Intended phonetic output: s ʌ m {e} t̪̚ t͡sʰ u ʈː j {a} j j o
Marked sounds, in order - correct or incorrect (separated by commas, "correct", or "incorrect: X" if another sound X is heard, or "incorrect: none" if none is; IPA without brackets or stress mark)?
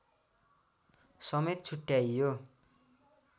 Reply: correct, correct